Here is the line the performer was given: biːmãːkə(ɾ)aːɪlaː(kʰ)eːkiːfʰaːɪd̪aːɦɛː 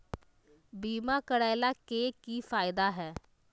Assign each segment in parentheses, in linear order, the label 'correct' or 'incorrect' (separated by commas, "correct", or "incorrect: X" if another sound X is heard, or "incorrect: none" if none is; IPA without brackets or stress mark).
incorrect: ɽ, incorrect: k